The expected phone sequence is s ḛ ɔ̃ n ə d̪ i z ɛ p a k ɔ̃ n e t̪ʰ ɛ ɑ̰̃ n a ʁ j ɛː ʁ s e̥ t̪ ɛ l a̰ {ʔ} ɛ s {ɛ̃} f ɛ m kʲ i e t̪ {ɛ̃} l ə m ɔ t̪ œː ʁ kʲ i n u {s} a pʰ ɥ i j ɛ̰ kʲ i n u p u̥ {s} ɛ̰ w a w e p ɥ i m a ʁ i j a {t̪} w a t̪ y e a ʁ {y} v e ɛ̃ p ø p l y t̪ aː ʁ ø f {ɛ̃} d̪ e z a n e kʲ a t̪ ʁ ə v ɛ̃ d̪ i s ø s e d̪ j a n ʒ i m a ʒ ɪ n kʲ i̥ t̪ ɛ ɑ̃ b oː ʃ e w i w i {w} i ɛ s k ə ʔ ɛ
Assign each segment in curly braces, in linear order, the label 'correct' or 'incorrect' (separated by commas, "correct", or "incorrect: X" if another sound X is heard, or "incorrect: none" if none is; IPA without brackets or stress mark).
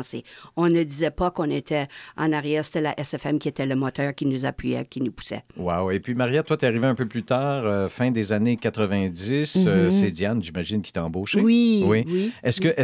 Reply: correct, incorrect: ɛ, incorrect: ɛ, incorrect: z, correct, correct, incorrect: i, correct, correct